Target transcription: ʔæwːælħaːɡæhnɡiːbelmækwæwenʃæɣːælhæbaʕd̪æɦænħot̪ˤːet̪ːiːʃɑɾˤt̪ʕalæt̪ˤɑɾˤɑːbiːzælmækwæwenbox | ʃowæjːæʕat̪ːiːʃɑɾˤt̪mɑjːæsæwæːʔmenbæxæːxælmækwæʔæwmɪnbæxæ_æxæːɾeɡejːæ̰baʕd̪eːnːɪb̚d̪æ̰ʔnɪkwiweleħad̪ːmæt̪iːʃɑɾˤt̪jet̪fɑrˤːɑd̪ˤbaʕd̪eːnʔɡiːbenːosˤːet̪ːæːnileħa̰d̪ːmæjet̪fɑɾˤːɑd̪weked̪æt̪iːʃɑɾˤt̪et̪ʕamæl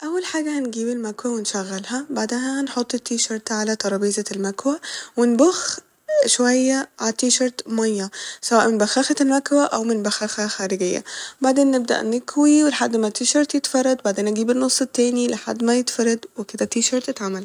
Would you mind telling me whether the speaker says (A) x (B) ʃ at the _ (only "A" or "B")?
A